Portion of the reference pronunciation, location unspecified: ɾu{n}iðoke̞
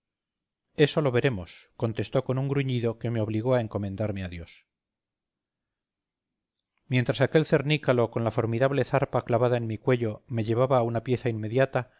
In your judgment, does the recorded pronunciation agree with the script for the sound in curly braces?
no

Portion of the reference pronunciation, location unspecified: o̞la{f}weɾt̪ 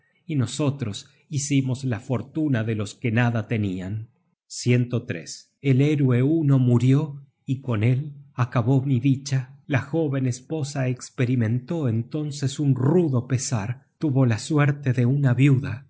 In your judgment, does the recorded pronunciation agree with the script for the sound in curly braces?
no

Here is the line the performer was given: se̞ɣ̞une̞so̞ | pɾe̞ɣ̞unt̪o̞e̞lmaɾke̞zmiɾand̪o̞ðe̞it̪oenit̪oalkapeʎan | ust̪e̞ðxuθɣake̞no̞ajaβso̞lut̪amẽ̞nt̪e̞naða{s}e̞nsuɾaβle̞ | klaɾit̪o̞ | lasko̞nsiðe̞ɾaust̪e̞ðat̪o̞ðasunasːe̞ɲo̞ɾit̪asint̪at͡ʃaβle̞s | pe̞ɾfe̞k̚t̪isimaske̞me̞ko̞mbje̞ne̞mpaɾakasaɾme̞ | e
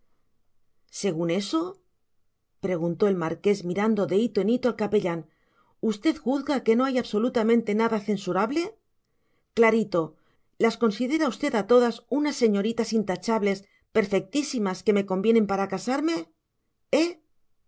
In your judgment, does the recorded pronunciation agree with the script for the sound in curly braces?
no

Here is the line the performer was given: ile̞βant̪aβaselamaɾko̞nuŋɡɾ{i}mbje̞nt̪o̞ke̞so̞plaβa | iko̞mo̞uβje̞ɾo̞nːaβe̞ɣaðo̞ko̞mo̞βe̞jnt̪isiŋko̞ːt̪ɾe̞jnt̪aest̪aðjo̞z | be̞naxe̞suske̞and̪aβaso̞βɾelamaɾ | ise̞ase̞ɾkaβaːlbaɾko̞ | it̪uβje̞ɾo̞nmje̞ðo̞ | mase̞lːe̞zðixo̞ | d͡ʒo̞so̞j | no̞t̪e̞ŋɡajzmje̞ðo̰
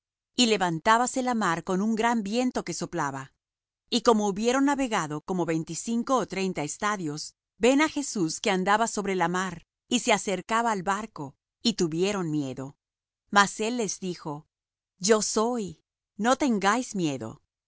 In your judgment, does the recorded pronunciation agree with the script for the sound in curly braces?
no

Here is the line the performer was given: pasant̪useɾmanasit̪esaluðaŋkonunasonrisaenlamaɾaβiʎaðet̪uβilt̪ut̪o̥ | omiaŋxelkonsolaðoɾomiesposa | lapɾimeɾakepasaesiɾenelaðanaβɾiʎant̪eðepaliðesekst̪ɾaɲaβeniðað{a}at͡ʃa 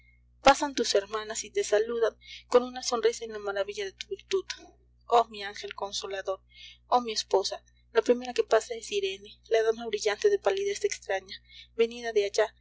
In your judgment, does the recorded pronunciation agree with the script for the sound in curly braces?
no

